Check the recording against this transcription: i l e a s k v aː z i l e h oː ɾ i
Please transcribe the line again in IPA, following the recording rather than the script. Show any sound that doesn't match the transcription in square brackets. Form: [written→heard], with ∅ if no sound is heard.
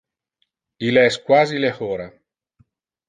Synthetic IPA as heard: i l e [a→ɛ] s k [v→w] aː z i l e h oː ɾ [i→a]